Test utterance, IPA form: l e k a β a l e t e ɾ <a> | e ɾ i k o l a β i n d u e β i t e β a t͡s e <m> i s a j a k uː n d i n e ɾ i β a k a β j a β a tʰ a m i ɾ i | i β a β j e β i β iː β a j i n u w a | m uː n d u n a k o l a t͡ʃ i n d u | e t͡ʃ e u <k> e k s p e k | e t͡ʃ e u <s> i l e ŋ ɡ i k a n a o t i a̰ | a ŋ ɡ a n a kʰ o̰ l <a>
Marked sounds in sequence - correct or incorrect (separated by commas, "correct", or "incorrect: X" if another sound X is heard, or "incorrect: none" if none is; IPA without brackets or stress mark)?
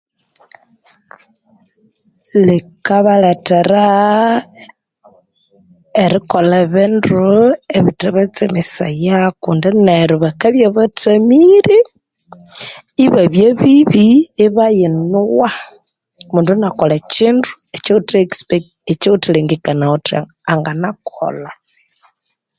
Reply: correct, correct, incorrect: t, incorrect: t, correct